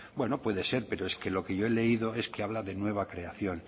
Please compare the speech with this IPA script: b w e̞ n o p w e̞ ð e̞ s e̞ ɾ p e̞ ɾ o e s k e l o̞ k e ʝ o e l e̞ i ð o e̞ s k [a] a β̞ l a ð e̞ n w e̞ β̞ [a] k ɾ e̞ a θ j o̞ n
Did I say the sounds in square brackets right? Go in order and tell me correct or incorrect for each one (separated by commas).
incorrect, correct